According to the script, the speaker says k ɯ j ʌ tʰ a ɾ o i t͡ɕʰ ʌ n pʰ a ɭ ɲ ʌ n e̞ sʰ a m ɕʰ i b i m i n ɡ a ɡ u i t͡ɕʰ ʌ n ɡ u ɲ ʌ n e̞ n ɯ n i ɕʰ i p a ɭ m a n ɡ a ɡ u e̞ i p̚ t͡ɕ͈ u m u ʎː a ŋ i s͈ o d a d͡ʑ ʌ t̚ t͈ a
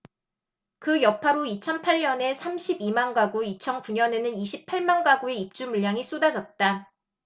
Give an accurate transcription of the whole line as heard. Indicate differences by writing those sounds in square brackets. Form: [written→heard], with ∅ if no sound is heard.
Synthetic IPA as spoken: k ɯ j ʌ [tʰ→pʰ] a ɾ o i t͡ɕʰ ʌ n pʰ a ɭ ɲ ʌ n e̞ sʰ a m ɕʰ i b i m [i→a] n ɡ a ɡ u i t͡ɕʰ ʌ n [ɡ→k] u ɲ ʌ n e̞ n ɯ n i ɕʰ i [p→pʰ] a ɭ m a n ɡ a ɡ u e̞ i p̚ t͡ɕ͈ u m u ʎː a ŋ i s͈ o d a d͡ʑ ʌ t̚ t͈ a